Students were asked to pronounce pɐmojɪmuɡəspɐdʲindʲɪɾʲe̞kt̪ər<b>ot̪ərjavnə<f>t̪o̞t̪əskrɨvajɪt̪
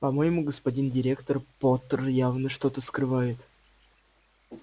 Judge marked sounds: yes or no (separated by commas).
no, no